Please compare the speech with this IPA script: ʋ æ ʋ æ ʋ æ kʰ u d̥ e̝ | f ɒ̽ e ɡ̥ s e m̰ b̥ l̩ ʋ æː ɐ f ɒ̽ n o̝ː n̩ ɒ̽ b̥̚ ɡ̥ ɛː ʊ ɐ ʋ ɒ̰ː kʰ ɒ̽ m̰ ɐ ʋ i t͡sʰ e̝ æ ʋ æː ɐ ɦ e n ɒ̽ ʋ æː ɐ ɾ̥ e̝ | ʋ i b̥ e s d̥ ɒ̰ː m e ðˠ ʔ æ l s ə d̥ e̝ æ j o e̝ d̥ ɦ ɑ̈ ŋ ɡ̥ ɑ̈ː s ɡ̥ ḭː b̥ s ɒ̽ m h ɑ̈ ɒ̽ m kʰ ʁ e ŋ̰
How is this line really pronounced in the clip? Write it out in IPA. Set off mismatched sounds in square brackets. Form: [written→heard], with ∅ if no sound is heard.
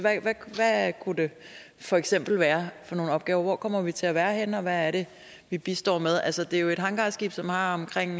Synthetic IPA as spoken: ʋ æ ʋ æ ʋ æ kʰ u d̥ e̝ | f ɒ̽ e ɡ̥ s e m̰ b̥ l̩ ʋ æː ɐ f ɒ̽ n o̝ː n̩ ɒ̽ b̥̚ ɡ̥ ɛː ʊ ɐ ʋ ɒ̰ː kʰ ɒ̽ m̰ ɐ ʋ i t͡sʰ e̝ æ ʋ æː ɐ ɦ e n ɒ̽ ʋ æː ɐ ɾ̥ e̝ | ʋ i b̥ [e→i] s d̥ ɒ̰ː m e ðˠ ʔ æ l s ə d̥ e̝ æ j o e̝ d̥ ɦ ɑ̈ ŋ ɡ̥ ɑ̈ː s ɡ̥ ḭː b̥ s ɒ̽ m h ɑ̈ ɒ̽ m kʰ ʁ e ŋ̰